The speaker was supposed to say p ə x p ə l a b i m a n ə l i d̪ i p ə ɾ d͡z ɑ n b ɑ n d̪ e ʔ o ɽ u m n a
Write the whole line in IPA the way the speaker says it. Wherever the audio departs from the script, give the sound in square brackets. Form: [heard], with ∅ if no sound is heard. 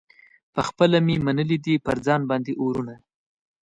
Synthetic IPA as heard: p ə x p ə l a [m] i m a n ə l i d̪ i p ə ɾ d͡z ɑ n b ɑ n d̪ e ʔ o [ɾ] u [∅] n a